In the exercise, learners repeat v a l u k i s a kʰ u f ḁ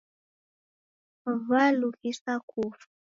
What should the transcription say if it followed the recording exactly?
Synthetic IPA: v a l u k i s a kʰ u f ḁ